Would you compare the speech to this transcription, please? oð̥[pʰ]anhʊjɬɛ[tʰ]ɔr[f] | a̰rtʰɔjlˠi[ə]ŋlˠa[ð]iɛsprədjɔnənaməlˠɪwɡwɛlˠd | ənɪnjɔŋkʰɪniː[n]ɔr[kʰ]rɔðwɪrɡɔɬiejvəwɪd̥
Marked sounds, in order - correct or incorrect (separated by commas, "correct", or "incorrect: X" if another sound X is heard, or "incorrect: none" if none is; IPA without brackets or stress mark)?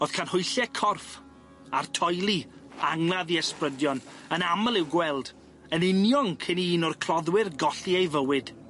incorrect: kʰ, incorrect: kʰ, correct, incorrect: a, correct, correct, correct